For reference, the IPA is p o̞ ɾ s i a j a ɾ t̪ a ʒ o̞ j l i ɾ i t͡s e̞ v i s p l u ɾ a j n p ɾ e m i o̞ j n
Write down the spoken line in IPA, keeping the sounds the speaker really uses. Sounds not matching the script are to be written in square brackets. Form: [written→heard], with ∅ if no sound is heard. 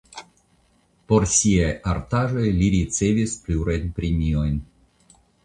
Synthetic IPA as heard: p o̞ ɾ s i a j a ɾ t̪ a ʒ o̞ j l i ɾ i t͡s e̞ v i s p l u ɾ a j n p ɾ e m i o̞ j n